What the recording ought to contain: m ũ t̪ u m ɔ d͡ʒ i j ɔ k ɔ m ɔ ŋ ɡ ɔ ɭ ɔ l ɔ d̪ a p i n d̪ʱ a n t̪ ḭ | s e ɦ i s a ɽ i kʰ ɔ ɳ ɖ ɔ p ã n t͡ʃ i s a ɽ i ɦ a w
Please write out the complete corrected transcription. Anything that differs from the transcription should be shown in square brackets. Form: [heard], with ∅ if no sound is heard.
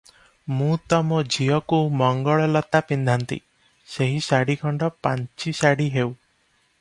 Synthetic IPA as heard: m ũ t̪ [ɔ] m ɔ d͡ʒ i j ɔ k [u] m ɔ ŋ ɡ ɔ ɭ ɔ l ɔ [t̪] a p i n d̪ʱ a n t̪ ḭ | s e ɦ i s a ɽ i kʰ ɔ ɳ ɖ ɔ p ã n t͡ʃ i s a ɽ i ɦ [e] w